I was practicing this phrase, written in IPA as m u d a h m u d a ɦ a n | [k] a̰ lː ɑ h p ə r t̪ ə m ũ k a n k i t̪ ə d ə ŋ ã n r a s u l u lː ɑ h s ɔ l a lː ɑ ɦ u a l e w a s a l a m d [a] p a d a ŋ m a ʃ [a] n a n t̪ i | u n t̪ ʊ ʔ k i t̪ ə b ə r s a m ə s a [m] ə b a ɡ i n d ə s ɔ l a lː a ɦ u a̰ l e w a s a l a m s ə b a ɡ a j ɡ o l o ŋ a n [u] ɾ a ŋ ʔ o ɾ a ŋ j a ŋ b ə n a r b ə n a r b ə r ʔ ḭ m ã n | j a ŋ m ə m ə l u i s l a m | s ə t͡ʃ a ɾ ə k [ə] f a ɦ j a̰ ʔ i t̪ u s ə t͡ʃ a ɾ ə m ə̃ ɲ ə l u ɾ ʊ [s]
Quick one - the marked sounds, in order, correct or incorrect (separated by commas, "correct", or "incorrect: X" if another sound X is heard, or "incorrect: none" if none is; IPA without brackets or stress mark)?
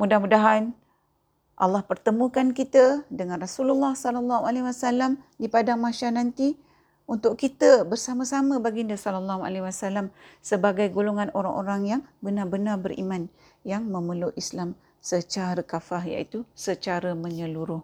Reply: incorrect: ʔ, incorrect: i, correct, correct, incorrect: o, incorrect: a, incorrect: h